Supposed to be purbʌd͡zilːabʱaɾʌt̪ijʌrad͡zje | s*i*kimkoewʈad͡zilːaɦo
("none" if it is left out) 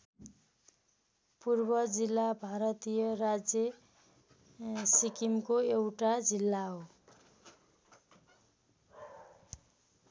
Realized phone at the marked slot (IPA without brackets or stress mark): i